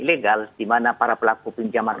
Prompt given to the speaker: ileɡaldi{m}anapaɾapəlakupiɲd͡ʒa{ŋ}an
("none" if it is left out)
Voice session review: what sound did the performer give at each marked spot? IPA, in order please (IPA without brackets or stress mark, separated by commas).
m, m